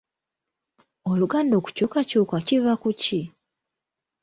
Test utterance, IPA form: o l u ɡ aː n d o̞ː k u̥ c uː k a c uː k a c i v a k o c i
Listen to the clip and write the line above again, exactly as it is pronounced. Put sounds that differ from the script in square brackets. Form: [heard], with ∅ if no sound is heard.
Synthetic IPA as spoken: o l u ɡ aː n d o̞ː k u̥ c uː k a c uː k a c i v a k [u] c i